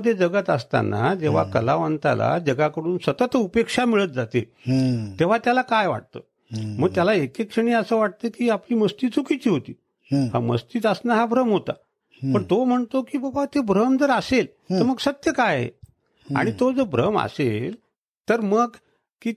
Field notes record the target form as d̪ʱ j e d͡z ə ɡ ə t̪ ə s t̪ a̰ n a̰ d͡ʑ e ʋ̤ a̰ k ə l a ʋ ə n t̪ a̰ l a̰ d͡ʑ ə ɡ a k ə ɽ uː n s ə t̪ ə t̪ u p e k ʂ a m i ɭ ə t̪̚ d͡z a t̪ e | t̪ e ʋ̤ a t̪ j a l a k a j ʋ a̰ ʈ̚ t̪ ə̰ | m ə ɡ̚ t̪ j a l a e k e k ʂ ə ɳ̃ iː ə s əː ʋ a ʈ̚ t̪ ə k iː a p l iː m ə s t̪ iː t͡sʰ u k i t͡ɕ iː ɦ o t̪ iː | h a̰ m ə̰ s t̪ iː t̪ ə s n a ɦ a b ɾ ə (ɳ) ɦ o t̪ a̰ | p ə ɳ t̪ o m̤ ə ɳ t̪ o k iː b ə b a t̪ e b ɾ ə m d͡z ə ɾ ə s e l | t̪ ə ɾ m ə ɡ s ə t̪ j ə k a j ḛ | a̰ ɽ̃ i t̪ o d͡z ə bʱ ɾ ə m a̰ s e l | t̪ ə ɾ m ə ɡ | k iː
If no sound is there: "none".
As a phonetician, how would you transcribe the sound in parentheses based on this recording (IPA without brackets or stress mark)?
m